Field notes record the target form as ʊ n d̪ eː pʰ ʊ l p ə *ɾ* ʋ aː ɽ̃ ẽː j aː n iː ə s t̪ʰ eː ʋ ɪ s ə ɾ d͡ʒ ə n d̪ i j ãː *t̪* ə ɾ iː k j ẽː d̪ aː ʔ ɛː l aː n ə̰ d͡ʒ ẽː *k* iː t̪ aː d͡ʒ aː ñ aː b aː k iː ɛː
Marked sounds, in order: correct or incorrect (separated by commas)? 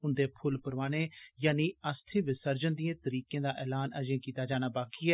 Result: correct, correct, correct